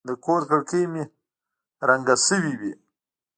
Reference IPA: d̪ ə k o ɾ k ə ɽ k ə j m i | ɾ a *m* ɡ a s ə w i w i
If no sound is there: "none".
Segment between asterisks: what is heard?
ŋ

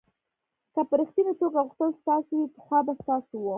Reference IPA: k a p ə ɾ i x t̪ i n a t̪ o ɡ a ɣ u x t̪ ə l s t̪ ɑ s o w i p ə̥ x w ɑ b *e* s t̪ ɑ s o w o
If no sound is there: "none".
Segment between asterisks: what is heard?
a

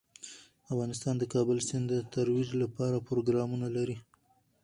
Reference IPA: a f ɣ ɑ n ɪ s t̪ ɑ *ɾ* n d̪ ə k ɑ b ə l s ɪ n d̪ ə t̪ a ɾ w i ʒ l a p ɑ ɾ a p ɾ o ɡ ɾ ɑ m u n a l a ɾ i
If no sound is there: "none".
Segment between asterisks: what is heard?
none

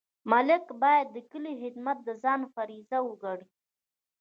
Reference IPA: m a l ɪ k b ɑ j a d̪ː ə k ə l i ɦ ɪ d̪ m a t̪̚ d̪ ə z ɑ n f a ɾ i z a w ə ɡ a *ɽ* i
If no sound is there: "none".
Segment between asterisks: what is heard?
ɽ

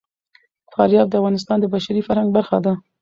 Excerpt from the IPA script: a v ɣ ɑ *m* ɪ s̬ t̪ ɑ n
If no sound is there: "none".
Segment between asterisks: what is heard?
n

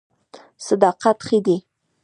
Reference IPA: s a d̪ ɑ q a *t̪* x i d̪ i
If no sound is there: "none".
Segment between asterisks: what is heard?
t̪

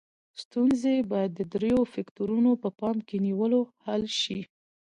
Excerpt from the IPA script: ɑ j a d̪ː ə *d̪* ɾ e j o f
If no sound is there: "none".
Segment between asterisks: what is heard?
d̪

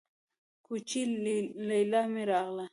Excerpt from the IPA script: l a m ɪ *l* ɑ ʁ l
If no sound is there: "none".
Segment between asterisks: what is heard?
ɾ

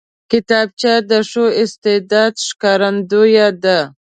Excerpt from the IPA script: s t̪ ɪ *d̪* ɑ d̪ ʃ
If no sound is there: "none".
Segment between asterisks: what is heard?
d̪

